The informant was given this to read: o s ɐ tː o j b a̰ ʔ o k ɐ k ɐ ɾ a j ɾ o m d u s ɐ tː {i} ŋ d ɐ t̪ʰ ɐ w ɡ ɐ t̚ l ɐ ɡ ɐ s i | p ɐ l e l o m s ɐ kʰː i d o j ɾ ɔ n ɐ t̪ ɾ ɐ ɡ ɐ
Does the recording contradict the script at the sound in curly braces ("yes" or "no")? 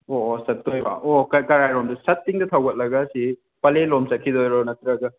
no